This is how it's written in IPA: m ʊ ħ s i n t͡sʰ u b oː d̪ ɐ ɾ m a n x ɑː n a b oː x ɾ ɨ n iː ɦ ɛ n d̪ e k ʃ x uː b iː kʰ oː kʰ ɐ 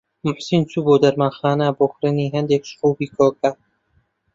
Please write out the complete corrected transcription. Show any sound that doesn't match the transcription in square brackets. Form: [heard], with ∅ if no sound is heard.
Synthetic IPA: m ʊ ħ s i n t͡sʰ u b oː d̪ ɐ ɾ m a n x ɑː n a b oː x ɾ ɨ n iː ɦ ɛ n d̪ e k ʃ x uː b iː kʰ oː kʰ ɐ